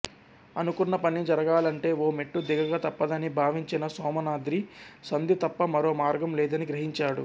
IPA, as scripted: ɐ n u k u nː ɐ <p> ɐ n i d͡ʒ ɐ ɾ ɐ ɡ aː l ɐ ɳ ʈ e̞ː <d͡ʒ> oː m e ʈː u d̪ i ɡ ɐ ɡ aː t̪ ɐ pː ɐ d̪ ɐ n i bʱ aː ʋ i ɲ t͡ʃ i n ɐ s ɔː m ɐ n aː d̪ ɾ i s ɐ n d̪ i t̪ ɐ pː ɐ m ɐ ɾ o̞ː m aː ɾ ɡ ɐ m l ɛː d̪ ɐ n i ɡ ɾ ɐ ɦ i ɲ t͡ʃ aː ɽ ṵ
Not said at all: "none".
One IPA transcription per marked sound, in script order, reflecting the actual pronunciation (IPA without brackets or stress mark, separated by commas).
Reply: p, none